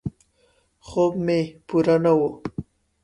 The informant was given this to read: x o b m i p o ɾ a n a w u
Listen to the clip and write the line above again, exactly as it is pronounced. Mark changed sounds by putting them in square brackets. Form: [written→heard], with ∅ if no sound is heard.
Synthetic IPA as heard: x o b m [i→e] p [o→u] ɾ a n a w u